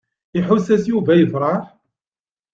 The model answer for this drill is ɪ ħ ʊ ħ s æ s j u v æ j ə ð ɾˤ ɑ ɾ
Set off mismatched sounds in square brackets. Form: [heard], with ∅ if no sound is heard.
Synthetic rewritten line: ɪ ħ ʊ [∅] s æ s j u v æ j ə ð ɾˤ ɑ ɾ